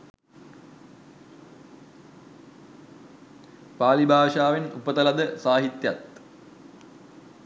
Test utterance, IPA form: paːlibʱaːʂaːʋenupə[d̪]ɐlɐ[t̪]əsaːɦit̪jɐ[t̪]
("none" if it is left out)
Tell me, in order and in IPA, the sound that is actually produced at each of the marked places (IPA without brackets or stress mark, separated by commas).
t̪, d̪, t̪